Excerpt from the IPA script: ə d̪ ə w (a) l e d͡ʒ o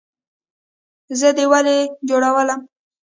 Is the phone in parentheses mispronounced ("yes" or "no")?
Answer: no